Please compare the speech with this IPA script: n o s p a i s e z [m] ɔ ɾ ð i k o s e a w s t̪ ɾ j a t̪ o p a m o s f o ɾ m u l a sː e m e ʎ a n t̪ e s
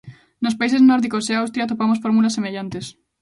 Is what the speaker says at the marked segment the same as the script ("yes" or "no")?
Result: no